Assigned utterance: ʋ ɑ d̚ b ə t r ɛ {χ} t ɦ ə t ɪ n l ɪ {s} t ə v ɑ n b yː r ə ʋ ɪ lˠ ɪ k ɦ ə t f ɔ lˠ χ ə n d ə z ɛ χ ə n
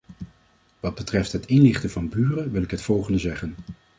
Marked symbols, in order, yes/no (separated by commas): no, no